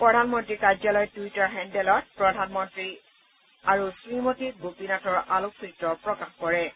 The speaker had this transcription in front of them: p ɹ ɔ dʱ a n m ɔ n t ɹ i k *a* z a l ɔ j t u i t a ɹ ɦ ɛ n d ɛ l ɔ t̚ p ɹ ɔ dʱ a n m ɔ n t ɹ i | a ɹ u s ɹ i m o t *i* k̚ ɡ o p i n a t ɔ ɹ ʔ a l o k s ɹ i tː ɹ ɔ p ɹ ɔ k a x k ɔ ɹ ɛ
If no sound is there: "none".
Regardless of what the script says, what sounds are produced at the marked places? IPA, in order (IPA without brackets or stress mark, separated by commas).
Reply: a, i